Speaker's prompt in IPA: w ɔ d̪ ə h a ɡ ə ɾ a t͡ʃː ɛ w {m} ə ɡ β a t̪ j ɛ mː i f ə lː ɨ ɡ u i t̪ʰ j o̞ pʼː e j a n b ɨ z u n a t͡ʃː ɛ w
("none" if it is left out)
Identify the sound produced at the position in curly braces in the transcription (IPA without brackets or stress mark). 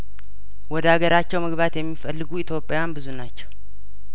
m